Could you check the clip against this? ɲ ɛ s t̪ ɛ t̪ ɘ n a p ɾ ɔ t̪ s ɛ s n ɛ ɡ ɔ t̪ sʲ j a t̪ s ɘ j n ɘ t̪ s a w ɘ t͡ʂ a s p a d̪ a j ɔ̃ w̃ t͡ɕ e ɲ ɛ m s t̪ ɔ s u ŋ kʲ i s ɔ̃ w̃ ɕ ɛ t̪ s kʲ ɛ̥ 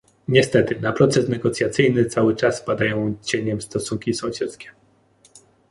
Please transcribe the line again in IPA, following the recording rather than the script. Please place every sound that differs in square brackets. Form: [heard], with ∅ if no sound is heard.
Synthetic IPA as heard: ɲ ɛ s t̪ ɛ t̪ ɘ n a p ɾ ɔ t̪ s ɛ s n ɛ ɡ ɔ t̪ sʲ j a t̪ s ɘ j n ɘ t̪ s a w ɘ t͡ʂ a s p a d̪ a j ɔ̃ w̃ t͡ɕ e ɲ ɛ m s t̪ ɔ s u ŋ kʲ i s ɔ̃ w̃ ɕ ɛ t̪ s kʲ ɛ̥